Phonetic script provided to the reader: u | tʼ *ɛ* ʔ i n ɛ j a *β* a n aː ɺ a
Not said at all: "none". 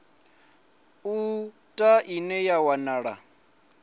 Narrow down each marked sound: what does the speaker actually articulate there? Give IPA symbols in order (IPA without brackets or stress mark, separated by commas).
a, w